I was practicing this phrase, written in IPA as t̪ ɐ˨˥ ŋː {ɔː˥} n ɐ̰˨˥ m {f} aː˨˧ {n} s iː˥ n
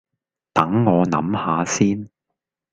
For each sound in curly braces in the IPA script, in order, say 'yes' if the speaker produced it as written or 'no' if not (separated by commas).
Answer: no, no, no